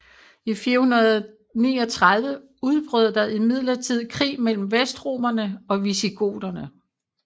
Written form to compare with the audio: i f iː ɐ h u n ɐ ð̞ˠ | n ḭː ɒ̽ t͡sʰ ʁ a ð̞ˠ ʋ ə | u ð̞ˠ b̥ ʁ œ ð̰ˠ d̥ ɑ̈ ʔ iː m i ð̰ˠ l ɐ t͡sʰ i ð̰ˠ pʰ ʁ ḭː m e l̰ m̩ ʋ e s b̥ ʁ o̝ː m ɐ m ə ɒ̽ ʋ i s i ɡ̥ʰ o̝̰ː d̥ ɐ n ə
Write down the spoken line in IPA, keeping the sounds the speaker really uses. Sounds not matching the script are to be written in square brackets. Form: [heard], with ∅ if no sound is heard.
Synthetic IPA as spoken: i f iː ɐ h u n ɐ ð̞ˠ | n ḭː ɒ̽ t͡sʰ ʁ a ð̞ˠ ʋ ə | u ð̞ˠ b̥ ʁ œ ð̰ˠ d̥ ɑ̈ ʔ [i] m i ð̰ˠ l ɐ t͡sʰ i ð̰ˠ [kʰ] ʁ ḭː m e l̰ m̩ ʋ e s [d̥] ʁ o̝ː m ɐ [n] ə ɒ̽ ʋ i s i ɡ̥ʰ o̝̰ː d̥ ɐ n ə